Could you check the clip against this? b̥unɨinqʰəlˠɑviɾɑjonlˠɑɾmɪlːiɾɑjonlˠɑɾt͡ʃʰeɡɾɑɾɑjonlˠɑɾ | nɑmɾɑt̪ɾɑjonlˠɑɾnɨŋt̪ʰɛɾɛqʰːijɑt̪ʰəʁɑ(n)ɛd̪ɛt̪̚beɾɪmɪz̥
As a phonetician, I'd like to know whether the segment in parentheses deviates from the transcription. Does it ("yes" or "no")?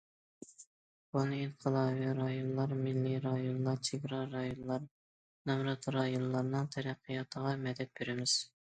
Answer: yes